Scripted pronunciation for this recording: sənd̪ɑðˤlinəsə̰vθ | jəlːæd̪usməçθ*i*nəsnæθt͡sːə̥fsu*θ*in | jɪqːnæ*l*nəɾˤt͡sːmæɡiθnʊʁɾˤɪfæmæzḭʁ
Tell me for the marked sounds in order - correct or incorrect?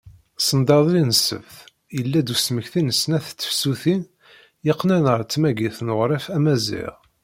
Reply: correct, correct, incorrect

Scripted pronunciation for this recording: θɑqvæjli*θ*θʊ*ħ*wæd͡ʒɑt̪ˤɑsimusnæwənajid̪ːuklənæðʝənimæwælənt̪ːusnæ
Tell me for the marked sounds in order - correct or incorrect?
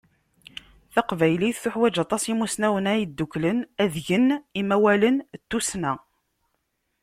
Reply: correct, correct

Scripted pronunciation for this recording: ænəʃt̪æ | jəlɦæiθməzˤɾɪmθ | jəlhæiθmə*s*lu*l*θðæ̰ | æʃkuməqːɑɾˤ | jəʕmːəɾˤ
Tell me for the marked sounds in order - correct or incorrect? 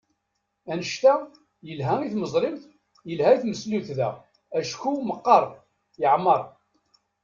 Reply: correct, incorrect

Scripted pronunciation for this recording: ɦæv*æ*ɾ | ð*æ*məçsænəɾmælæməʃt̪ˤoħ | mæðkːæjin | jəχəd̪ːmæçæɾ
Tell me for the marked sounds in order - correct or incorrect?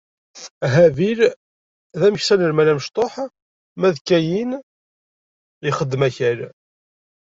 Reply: incorrect, correct

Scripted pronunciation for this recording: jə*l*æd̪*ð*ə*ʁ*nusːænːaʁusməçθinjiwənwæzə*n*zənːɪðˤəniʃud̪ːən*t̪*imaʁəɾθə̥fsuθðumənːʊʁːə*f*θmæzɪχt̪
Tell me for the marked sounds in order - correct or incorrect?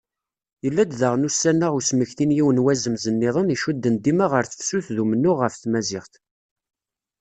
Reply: incorrect, correct, correct, incorrect, incorrect, correct

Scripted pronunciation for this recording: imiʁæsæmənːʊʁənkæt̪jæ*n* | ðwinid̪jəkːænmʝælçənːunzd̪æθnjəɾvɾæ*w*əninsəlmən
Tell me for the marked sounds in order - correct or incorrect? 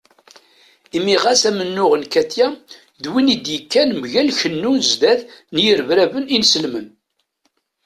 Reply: incorrect, incorrect

